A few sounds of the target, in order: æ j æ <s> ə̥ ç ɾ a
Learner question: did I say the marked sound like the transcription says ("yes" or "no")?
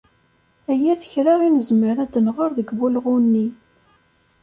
no